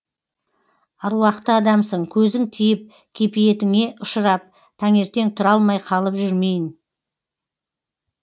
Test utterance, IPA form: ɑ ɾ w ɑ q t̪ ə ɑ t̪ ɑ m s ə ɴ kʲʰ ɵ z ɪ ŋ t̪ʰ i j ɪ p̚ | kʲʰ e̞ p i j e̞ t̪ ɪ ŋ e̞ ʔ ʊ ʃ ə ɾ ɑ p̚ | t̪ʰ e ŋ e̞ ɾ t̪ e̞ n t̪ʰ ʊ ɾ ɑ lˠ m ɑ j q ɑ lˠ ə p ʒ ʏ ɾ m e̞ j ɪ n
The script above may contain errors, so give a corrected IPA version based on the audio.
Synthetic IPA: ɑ ɾ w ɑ q t̪ ə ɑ d̪ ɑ m s ə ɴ kʲʰ ɵ z ɪ ŋ t̪ʰ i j ɪ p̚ | kʲʰ e̞ p i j e̞ t̪ ɪ ŋ e̞ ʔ ʊ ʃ ə ɾ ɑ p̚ | t̪ʰ æ ŋ e̞ ɾ t̪ e̞ ŋ t̪ʰ ʊ ɾ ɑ lˠ m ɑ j qʰ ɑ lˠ ə p ʒ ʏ ɾ m e̞ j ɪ n